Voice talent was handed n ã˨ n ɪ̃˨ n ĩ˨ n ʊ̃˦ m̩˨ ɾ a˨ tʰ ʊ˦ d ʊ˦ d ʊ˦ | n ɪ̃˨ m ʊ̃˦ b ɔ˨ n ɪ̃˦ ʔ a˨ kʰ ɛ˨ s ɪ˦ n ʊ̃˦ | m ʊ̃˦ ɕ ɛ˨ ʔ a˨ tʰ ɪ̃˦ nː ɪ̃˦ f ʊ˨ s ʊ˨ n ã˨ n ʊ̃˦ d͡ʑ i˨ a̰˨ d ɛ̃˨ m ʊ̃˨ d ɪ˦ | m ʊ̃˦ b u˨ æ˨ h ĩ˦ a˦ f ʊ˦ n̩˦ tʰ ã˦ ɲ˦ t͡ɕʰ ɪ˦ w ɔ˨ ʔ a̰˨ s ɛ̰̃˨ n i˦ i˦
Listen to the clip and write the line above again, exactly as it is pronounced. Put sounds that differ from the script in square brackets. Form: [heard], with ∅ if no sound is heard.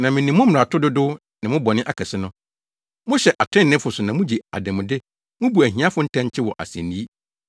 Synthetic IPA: n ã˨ [m] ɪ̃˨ n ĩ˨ [m] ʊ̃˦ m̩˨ ɾ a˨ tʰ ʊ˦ d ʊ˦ d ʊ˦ | n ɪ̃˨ m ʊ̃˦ b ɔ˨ n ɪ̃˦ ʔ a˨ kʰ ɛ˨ s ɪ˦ n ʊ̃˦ | m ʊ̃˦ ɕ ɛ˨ ʔ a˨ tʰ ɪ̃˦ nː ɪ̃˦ f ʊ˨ s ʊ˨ n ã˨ [m] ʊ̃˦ d͡ʑ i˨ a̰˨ d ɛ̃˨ m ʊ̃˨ d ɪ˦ | m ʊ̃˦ b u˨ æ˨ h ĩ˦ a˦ f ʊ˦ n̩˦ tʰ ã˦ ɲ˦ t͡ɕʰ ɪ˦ w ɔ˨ ʔ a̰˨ s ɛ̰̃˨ n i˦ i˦